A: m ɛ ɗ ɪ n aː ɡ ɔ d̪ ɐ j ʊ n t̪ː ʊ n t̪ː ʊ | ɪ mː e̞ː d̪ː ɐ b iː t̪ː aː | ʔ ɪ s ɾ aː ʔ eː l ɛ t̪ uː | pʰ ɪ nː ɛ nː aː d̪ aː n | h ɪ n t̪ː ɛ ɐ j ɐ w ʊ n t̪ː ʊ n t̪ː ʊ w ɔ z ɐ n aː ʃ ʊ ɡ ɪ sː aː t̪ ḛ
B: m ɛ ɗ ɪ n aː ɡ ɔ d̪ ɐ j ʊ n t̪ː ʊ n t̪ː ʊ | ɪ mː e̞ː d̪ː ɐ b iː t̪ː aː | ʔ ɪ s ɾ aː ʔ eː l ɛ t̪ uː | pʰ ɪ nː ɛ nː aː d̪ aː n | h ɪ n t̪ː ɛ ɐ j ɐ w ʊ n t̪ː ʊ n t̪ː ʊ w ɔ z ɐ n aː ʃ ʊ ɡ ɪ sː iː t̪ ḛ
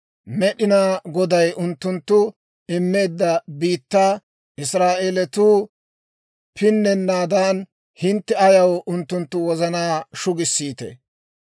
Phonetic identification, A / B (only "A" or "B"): B